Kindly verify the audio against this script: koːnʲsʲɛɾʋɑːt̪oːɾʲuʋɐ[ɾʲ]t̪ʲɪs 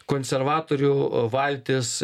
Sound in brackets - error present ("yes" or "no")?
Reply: yes